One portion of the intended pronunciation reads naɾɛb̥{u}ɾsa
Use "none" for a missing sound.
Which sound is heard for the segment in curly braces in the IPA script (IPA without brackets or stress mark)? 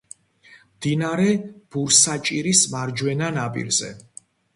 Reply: u